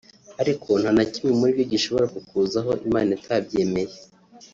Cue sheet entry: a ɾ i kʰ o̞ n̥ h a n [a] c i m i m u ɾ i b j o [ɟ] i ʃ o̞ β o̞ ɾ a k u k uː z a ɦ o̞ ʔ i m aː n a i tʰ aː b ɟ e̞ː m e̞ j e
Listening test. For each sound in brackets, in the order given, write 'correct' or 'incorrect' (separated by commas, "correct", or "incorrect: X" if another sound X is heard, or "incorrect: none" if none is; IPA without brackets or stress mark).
correct, correct